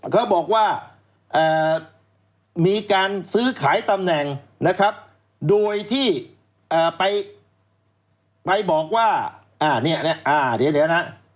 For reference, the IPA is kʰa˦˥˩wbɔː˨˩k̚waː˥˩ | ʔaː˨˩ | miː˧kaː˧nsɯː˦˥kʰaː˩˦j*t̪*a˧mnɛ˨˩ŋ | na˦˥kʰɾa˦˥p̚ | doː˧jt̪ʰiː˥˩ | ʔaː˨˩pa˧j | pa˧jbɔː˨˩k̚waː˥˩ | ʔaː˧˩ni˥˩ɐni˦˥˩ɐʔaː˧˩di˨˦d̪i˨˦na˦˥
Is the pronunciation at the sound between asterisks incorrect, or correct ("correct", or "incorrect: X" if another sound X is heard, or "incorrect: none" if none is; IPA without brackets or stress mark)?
correct